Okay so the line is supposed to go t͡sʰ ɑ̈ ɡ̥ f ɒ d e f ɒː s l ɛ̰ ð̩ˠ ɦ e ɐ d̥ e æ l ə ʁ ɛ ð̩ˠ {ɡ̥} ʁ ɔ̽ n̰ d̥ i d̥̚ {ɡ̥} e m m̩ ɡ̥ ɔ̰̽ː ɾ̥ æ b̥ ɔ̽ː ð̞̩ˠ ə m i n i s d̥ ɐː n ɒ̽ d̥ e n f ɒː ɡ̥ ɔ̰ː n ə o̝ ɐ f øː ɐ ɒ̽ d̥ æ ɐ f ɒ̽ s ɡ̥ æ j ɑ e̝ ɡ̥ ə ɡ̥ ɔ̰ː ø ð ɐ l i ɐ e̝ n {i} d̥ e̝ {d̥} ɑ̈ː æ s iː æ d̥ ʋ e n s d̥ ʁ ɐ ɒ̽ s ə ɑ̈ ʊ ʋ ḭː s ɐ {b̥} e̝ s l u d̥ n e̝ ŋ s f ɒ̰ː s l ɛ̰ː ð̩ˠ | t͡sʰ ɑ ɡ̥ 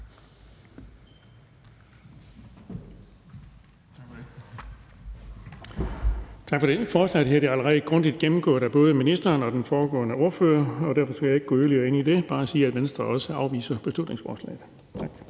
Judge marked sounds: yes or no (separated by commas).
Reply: yes, yes, yes, no, yes